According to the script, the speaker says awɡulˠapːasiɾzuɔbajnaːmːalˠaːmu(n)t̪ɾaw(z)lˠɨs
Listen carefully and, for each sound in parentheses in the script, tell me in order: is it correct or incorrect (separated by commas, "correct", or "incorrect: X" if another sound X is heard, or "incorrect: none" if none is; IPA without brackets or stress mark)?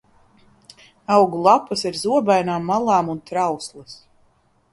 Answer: correct, incorrect: s